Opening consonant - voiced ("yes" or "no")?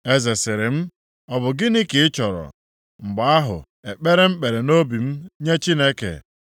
yes